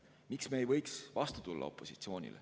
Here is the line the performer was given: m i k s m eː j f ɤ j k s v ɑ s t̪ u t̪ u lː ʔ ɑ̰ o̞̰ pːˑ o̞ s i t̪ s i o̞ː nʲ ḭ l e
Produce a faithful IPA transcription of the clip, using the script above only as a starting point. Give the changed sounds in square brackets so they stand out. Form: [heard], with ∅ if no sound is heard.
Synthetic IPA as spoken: m i k s m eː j [v] ɤ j k s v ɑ s t̪ u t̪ u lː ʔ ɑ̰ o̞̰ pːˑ o̞ s i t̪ s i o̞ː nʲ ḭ l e